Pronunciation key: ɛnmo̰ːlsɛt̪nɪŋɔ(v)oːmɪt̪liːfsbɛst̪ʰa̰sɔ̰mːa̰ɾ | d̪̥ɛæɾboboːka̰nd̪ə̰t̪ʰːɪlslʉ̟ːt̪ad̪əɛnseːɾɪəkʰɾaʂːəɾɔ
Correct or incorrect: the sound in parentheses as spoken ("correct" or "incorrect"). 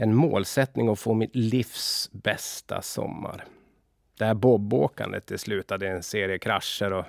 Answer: incorrect